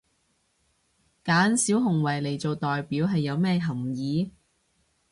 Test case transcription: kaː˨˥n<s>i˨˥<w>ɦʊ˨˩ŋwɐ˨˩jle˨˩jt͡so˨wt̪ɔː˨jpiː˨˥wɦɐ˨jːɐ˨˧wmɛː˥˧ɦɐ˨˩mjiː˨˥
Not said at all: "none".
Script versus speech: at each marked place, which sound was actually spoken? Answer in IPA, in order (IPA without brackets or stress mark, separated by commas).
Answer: s, w